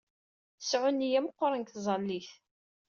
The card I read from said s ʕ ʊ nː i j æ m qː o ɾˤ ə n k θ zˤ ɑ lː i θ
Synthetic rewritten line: s ʕ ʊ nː i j æ m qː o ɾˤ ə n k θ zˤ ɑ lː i θ